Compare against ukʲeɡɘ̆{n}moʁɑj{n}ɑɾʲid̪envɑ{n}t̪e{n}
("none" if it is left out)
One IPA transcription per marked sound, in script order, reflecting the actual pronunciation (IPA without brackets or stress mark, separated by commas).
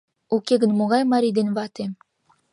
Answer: n, m, none, none